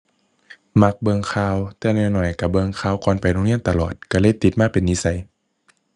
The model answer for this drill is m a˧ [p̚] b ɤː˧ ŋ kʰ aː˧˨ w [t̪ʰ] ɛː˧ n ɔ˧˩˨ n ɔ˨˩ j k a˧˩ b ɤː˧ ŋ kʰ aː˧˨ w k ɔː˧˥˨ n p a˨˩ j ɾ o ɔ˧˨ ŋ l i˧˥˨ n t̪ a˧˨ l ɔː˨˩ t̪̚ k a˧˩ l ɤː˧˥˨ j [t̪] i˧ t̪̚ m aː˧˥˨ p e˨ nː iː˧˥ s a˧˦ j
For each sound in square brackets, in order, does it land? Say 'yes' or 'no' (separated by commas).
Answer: no, no, yes